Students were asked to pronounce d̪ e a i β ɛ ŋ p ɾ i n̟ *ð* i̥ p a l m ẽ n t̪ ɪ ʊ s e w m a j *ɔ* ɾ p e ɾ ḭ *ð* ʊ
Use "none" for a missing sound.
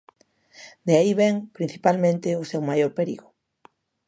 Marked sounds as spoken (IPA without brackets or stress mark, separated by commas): θ, o, ɣ